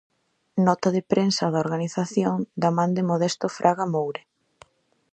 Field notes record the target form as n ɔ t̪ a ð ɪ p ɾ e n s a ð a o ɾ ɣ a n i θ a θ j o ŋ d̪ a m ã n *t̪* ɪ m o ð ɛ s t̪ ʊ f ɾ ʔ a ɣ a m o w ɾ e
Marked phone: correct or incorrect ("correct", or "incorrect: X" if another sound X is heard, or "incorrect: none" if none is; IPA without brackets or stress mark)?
incorrect: d̪